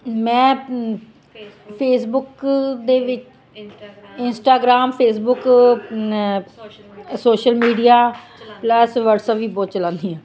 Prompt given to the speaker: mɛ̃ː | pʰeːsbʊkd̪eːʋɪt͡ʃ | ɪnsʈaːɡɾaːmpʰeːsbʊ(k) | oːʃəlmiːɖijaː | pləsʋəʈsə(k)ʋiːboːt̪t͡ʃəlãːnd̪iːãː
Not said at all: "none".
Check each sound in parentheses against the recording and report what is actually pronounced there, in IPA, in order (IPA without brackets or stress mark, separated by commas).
k, p